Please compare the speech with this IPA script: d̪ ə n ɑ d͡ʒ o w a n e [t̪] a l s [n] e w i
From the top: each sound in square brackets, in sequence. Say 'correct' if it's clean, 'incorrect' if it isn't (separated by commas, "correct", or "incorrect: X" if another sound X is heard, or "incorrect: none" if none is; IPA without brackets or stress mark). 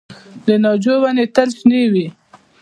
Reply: correct, correct